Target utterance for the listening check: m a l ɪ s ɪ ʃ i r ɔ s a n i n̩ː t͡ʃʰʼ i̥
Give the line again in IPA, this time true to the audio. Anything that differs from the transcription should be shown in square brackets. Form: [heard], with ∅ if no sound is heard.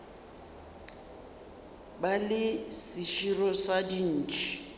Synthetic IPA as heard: [b] a l ɪ s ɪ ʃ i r ɔ s a [d] i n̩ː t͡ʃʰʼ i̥